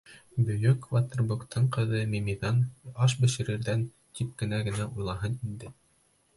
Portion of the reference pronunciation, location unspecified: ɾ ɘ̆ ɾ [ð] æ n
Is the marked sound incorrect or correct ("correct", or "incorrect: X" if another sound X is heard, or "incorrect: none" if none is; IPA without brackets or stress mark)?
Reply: correct